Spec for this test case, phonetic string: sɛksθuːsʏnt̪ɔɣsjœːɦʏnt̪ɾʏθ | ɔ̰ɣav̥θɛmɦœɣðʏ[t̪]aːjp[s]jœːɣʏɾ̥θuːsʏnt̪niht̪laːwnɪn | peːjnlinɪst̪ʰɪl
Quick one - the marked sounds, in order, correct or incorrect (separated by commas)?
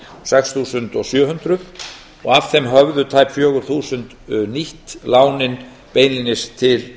incorrect, incorrect